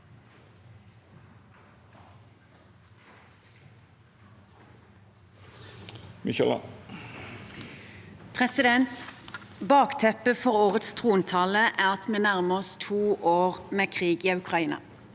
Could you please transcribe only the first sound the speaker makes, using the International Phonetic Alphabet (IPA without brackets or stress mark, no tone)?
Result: m